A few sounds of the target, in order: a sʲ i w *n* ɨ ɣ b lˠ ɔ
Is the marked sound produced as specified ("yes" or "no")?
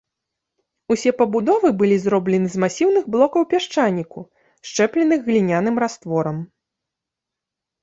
yes